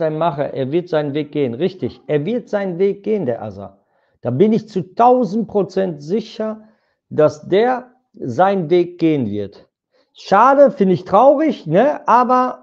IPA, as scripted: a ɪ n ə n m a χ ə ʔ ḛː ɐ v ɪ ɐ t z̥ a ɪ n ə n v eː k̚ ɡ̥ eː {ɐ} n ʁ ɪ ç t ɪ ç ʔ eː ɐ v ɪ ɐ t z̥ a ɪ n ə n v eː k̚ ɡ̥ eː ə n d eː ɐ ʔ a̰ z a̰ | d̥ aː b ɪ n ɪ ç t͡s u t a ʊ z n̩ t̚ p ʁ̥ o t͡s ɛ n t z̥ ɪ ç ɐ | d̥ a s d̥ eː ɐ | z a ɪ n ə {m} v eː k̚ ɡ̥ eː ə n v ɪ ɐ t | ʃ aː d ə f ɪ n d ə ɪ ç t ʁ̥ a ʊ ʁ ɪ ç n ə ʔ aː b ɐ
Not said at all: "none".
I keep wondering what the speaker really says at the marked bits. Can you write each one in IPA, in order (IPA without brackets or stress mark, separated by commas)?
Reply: ə, n